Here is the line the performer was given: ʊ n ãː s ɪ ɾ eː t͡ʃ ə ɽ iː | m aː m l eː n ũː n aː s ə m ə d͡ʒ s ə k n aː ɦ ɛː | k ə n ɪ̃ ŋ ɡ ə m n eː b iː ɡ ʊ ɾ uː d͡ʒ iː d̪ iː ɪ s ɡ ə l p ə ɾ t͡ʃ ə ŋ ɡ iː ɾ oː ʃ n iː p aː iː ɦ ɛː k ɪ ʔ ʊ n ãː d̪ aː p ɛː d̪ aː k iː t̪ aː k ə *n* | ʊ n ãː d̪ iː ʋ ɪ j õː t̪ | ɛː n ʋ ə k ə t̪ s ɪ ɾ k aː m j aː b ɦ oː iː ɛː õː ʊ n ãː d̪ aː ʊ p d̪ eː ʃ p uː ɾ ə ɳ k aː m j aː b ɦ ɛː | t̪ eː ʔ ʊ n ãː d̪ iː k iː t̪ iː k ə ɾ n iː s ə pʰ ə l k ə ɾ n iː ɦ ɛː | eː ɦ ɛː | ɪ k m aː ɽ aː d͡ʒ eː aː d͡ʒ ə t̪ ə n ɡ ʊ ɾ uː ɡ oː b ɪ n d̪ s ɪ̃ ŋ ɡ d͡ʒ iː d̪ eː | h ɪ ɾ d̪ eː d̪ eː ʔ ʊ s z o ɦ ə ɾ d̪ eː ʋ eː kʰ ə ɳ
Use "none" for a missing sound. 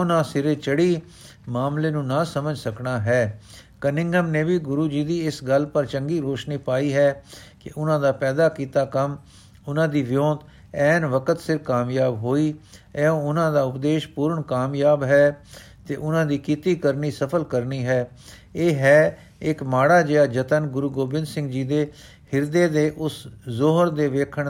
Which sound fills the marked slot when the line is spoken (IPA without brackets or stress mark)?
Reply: m